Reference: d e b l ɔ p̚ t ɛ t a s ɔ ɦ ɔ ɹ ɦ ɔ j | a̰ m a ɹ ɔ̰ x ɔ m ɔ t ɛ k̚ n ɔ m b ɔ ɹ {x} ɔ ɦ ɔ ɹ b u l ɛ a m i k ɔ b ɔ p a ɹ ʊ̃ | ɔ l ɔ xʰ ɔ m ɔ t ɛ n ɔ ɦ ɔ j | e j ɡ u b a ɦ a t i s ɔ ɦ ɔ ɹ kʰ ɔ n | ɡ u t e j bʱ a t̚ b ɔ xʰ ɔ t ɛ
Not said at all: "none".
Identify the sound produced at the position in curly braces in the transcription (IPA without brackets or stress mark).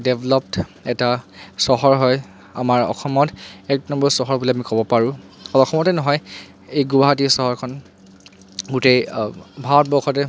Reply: s